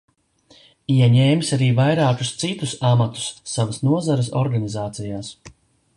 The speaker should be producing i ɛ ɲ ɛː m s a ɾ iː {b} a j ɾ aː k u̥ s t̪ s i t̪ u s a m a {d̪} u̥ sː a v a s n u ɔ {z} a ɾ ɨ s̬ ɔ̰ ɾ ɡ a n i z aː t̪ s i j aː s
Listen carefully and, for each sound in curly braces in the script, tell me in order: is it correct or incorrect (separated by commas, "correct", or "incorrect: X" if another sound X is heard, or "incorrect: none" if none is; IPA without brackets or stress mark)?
incorrect: v, incorrect: t̪, correct